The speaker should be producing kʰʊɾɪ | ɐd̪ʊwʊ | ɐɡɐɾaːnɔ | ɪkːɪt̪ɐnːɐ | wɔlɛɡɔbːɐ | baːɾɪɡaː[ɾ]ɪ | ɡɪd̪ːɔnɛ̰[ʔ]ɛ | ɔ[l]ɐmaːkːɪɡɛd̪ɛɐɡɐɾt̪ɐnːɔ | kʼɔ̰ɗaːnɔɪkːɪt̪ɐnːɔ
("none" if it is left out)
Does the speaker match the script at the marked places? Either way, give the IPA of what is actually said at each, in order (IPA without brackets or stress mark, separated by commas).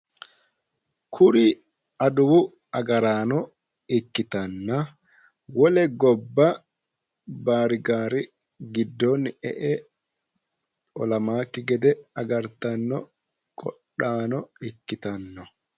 ɾ, ʔ, l